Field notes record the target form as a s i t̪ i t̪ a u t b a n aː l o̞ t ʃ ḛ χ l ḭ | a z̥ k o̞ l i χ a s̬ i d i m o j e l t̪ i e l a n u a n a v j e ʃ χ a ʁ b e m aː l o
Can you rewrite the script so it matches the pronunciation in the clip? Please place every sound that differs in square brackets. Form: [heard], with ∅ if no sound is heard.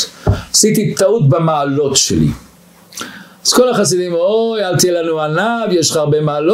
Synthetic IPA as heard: a s i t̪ i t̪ a u t b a [m] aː l o̞ t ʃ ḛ [∅] l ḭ | a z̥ k o̞ l [a] χ a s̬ i d i m o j [a] l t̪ i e l a n u a n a v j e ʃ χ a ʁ b e m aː l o